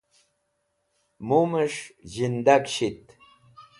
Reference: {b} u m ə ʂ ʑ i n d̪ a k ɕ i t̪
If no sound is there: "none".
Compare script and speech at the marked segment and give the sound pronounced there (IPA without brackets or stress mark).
m